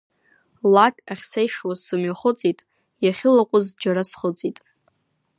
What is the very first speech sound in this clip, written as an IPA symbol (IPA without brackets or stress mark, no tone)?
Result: l